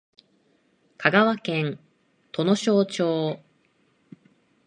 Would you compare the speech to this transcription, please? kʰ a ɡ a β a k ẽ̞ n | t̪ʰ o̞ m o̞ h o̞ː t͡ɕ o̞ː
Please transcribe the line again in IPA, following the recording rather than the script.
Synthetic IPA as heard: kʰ a ɡ a β a k ẽ̞ n | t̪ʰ o̞ n o̞ ɕ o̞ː t͡ɕ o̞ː